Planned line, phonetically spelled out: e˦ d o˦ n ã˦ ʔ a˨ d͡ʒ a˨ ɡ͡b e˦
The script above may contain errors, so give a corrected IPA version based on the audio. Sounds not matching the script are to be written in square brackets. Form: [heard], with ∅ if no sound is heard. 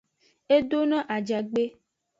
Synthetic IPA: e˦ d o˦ n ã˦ ʔ a˨ d͡ʒ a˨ ɡ͡b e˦